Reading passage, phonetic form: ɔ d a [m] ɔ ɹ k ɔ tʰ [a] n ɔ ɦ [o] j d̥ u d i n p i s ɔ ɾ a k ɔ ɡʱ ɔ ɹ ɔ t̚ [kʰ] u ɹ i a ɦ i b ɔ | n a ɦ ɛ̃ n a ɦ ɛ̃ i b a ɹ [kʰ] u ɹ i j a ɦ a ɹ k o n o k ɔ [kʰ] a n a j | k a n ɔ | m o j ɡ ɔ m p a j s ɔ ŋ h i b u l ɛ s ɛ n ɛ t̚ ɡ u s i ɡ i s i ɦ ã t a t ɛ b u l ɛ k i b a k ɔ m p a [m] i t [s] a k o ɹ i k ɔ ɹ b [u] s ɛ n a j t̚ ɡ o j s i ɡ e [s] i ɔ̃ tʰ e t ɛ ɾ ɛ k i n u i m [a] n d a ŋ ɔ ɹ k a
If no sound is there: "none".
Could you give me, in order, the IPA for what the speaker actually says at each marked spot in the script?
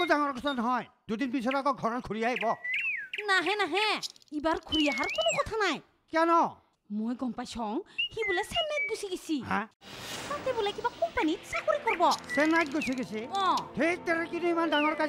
ŋ, a, ɔ, kʰ, kʰ, tʰ, n, s, ɔ, s, a

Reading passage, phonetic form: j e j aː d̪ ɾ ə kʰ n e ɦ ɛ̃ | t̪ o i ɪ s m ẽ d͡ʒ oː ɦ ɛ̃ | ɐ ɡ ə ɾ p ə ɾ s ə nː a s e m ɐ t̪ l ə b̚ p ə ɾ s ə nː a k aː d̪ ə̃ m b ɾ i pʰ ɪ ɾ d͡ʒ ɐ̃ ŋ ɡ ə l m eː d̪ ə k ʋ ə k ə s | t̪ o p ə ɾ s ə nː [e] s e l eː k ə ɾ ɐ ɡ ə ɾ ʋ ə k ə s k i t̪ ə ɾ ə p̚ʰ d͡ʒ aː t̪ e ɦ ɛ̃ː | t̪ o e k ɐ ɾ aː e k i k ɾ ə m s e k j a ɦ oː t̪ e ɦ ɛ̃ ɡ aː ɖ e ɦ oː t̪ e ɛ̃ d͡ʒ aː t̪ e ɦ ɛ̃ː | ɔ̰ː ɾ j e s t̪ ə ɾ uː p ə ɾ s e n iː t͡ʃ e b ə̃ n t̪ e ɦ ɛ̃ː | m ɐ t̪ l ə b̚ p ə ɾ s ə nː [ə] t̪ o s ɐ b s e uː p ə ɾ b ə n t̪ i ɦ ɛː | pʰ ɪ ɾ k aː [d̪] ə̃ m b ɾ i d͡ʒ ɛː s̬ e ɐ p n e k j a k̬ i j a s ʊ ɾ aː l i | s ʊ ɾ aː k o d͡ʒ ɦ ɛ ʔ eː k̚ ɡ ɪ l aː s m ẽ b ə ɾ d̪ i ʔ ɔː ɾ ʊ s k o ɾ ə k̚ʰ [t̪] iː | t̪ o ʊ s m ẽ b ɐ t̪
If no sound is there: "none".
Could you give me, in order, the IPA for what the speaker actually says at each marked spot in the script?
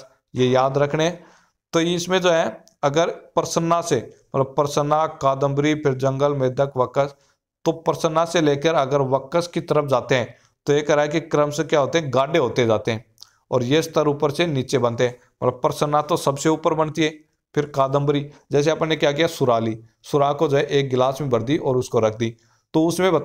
a, a, d̪, d̪

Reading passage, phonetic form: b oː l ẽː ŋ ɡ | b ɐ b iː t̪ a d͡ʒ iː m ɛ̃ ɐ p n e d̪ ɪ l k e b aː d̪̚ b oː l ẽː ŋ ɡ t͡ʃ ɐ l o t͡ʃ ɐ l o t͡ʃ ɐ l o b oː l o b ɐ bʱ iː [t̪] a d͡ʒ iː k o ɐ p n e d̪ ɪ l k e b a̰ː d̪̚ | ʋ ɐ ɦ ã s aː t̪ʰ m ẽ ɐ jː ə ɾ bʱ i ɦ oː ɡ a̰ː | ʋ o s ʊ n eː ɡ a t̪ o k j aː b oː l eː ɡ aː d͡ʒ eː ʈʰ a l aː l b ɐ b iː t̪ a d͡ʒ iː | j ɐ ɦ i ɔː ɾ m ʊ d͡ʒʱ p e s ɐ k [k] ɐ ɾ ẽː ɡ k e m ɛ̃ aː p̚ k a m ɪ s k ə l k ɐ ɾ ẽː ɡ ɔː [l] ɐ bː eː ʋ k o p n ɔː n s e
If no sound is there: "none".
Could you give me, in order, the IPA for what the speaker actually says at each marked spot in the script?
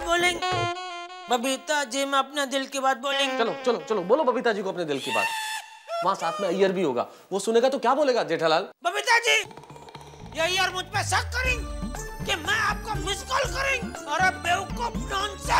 t̪, k, ɾ

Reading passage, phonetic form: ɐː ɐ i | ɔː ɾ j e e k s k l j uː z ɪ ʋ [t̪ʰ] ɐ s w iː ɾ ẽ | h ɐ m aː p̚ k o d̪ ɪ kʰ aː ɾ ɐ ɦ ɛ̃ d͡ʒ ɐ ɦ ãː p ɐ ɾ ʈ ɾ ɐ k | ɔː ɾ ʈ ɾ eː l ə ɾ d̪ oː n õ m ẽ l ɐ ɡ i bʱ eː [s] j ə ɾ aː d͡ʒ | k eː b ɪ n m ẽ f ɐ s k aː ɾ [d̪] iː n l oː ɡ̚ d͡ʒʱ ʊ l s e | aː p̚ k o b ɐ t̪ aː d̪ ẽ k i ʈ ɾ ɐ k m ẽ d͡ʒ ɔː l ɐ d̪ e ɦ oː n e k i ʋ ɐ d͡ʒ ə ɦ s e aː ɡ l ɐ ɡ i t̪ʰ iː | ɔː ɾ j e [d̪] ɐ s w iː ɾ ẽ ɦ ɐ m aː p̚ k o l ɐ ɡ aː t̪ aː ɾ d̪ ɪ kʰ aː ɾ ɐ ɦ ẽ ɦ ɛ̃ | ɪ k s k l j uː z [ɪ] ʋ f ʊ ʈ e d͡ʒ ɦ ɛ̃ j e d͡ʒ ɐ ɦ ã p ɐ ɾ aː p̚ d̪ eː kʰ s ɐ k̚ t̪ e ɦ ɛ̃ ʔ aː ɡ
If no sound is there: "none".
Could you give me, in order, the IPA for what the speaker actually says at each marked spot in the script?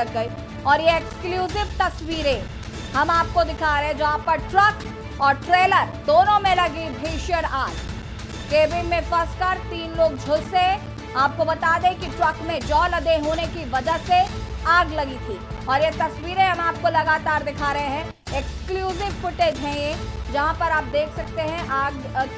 t̪, ʃ, t̪, t̪, ɪ

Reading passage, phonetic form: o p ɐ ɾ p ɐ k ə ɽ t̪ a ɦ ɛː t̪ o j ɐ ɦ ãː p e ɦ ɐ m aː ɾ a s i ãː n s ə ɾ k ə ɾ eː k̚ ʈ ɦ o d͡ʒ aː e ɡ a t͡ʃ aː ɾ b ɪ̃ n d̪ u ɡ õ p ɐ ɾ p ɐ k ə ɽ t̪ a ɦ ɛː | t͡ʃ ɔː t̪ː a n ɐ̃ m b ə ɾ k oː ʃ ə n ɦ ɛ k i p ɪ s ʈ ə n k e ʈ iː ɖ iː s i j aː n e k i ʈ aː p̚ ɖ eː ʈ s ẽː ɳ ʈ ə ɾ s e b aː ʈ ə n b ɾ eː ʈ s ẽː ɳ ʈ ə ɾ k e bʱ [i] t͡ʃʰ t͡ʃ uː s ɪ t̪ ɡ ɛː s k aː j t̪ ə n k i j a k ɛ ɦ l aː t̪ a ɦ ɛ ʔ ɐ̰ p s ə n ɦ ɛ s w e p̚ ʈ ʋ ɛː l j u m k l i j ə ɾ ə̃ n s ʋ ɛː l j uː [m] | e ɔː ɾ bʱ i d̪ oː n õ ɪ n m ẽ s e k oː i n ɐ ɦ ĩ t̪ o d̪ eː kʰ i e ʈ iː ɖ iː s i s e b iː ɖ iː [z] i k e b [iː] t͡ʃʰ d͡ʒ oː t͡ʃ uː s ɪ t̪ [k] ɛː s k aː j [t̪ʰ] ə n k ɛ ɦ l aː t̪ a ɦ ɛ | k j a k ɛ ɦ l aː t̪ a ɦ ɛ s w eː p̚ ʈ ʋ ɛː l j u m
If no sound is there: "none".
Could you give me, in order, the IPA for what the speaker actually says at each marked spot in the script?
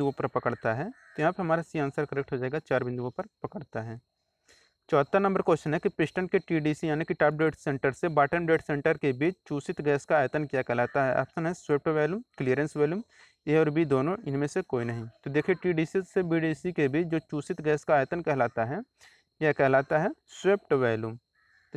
iː, m, s, iː, ɡ, t̪

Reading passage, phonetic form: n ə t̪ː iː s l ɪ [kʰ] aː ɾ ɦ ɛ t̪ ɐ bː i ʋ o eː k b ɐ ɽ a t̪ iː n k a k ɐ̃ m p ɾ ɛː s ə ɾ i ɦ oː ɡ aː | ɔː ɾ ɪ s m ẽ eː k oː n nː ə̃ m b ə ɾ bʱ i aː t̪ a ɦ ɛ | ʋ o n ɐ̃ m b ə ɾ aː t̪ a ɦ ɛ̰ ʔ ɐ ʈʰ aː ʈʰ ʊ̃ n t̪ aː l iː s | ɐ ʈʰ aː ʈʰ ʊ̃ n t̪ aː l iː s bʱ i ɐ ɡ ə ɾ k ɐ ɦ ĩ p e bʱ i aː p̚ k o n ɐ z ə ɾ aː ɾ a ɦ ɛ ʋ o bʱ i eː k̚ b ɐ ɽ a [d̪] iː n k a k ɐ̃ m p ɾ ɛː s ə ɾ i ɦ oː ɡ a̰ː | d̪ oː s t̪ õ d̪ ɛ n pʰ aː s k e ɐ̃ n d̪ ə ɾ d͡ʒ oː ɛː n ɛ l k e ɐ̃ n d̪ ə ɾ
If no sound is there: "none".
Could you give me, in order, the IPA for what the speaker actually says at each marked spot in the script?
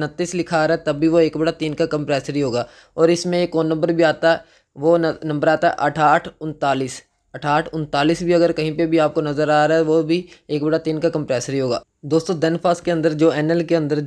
kʰ, t̪

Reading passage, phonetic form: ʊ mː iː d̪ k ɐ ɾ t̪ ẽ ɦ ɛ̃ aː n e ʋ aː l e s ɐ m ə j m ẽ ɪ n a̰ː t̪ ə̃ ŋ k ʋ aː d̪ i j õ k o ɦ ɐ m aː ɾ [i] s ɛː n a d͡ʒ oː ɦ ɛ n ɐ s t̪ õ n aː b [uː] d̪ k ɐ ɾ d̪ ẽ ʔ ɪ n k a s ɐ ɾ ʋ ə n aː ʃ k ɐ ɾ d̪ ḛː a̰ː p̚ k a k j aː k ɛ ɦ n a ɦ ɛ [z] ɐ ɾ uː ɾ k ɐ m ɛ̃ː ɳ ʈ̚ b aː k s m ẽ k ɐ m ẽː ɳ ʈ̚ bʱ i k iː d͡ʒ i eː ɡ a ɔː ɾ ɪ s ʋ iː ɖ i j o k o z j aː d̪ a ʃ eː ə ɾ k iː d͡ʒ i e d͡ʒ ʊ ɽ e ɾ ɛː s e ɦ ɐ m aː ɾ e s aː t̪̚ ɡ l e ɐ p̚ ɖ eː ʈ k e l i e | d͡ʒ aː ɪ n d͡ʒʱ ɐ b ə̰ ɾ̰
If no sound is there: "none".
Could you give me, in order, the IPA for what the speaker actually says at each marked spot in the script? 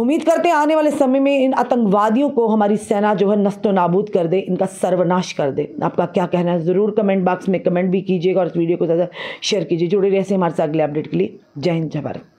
i, uː, z

